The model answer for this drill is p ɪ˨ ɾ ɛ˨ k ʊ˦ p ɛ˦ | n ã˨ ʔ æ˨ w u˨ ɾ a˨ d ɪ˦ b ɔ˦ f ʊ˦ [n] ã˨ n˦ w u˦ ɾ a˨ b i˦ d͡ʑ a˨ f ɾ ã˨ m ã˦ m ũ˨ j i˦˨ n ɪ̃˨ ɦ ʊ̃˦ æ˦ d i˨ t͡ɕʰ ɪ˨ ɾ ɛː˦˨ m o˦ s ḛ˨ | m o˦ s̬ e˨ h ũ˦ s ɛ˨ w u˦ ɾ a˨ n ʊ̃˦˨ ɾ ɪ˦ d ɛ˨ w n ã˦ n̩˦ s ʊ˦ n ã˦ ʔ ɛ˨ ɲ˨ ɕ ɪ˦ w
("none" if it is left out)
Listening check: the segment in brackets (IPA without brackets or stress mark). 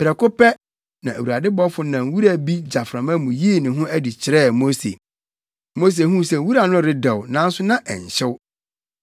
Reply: n